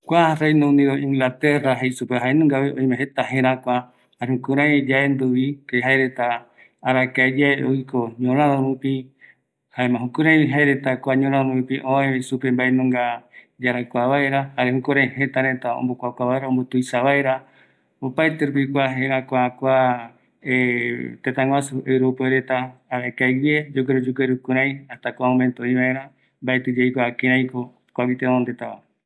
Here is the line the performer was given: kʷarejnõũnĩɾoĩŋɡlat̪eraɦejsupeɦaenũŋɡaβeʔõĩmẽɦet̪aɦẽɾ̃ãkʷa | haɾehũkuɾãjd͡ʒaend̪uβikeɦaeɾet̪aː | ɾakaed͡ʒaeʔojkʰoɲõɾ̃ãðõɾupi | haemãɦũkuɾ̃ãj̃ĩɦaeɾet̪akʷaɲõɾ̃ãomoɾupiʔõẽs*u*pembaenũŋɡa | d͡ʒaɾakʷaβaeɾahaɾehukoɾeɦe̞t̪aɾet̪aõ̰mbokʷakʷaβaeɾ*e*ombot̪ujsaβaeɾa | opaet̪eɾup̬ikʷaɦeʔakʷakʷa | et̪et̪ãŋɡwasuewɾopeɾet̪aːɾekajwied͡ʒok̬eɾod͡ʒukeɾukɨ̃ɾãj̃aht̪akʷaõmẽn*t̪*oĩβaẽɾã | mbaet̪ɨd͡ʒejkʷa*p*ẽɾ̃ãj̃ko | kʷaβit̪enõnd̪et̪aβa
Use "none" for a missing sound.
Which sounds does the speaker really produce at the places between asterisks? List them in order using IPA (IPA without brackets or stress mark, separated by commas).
u, a, t̪, k